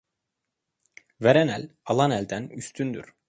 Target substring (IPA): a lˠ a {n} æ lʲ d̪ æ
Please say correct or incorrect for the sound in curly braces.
correct